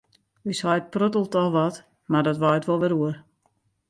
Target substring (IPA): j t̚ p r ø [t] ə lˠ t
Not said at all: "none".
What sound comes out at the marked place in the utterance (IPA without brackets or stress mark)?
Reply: t